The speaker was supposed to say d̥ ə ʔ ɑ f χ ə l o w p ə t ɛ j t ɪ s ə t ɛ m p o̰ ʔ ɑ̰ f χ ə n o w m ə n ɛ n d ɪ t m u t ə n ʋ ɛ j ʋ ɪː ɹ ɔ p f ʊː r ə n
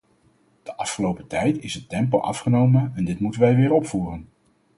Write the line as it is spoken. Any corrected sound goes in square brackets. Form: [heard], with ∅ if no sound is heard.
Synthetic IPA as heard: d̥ ə ʔ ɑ f χ ə l o w p ə t ɛ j t ɪ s ə t ɛ m p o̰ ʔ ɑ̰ f χ ə n o w m ə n ɛ n d ɪ t m u t ə n ʋ ɛ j ʋ ɪː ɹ ɔ p f [uː] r ə n